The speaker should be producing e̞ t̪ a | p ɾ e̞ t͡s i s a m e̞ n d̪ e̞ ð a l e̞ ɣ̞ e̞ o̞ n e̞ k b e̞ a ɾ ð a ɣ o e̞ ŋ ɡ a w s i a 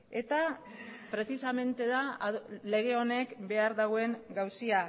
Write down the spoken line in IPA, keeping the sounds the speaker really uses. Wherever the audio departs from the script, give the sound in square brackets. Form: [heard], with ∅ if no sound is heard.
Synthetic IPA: e̞ t̪ a | p ɾ e̞ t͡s i s a m e̞ n [t̪] e̞ ð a l e̞ ɣ̞ e̞ o̞ n e̞ k b e̞ a ɾ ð a ɣ o e̞ ŋ ɡ a w s i a